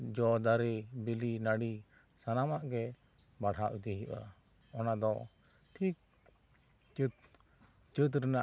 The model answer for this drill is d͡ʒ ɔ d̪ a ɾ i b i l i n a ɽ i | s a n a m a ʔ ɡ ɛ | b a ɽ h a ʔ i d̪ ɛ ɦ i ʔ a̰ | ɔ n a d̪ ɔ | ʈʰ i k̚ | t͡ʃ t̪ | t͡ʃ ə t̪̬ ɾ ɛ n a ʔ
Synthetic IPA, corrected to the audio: d͡ʒ ɔ d̪ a ɾ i b i l i n a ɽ i | s a n a m a ʔ ɡ ɛ | b a ɽ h a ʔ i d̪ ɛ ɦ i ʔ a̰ | ɔ n a d̪ ɔ | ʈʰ i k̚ | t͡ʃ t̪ | t͡ʃ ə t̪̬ ɾ ɛ n a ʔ